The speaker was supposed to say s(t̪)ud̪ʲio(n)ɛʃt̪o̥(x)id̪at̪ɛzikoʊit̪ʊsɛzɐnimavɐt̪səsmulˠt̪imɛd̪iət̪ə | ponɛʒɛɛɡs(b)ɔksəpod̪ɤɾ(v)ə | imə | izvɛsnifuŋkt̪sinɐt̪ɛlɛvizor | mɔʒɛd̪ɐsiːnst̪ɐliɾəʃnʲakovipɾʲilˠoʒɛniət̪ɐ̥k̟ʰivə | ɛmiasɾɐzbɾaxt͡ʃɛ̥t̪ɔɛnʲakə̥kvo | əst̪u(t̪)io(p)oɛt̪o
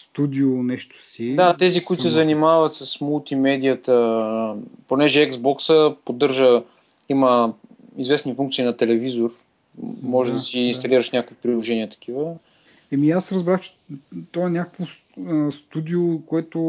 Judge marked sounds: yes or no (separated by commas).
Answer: yes, yes, no, yes, no, no, no